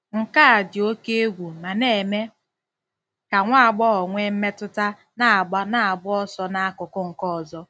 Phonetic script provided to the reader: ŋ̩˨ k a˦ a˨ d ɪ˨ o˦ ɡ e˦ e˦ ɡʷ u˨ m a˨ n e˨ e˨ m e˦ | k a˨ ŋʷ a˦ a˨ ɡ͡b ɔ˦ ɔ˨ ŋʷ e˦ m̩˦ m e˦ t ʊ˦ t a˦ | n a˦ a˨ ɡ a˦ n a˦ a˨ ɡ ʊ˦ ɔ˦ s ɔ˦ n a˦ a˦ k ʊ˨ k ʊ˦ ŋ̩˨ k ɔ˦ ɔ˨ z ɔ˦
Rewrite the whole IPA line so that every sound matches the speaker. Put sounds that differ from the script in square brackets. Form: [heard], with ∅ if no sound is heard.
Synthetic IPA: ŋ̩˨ k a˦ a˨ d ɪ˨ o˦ [k] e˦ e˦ ɡʷ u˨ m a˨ n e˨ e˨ m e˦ | k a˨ ŋʷ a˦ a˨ ɡ͡b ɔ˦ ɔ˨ ŋʷ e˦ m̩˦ m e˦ t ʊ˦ t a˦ | n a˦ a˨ [ɡ͡b] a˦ n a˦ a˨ [b] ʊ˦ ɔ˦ s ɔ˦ n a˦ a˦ k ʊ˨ k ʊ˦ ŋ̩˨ k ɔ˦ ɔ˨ z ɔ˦